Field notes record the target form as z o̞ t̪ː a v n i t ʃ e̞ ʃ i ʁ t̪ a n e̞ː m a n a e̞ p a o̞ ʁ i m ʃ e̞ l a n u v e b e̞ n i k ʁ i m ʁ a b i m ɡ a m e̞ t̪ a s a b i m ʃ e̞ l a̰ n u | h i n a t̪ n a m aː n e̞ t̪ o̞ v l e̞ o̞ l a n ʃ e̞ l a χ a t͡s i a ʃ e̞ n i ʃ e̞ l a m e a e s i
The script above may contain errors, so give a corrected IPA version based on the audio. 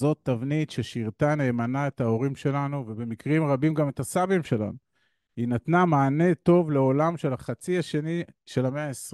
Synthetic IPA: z o̞ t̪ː a v n i t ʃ e̞ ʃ i ʁ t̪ a n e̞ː m a n a e̞ t a o̞ ʁ i m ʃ e̞ l a n u v e b e̞ m i k ʁ i m ʁ a b i m ɡ a m e̞ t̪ a s a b i m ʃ e̞ l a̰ n u | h i n a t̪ n a m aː n e̞ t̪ o̞ v l e̞ o̞ l a m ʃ e̞ l a χ a t͡s i a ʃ e̞ n i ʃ e̞ l a m e a e s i